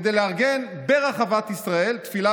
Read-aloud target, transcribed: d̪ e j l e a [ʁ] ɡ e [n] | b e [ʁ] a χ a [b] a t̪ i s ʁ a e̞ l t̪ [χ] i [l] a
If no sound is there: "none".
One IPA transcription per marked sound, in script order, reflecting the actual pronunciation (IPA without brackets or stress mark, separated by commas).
ʁ, n, ʁ, v, f, l